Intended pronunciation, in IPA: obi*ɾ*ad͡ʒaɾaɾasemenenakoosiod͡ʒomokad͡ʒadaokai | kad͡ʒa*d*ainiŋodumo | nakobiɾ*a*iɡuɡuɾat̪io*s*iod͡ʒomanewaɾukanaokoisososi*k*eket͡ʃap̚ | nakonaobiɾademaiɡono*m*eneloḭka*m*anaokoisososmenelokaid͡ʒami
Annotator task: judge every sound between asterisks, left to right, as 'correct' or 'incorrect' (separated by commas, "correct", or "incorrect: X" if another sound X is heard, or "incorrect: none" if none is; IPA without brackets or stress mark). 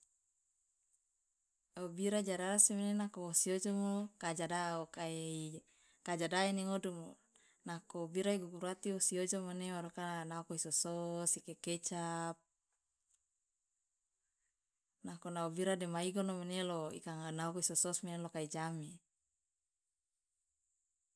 correct, correct, correct, correct, correct, correct, incorrect: ŋ